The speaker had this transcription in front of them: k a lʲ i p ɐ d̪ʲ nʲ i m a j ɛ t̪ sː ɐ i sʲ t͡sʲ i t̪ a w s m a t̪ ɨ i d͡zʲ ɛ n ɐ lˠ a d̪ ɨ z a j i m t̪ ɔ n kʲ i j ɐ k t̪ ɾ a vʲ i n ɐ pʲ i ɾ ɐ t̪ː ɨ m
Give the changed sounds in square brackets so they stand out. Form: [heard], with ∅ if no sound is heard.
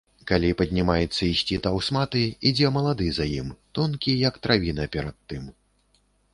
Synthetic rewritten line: k a lʲ i p ɐ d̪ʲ nʲ i m a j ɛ t̪ sː ɐ i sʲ t͡sʲ i t̪ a w s m a t̪ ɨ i d͡zʲ ɛ [m] ɐ lˠ a d̪ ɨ z a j i m t̪ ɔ n kʲ i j ɐ k t̪ ɾ a vʲ i n ɐ pʲ [ɛ] ɾ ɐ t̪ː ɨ m